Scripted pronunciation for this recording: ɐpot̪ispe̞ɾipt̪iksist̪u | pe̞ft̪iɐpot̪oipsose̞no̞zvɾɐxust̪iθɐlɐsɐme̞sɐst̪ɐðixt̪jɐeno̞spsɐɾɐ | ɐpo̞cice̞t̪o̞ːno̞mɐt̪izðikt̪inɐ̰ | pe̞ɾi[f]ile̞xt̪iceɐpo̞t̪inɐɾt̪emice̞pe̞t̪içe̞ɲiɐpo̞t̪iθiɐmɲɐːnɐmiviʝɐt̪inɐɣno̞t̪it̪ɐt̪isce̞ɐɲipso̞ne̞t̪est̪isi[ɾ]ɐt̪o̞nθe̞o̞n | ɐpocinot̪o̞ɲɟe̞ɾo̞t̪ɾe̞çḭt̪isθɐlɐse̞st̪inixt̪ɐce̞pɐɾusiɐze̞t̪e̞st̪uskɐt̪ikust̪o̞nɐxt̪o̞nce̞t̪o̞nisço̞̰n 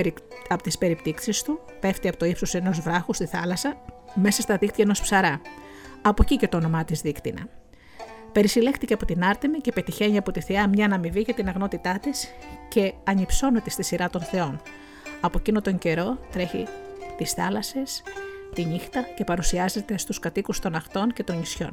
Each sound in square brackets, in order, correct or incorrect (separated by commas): incorrect, correct